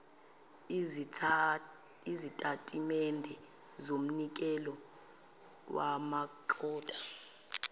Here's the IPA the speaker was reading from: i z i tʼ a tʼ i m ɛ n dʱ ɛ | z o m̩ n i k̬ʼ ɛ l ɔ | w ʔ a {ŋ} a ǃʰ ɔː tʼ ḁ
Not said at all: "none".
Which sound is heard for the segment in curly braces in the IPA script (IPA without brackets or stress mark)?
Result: m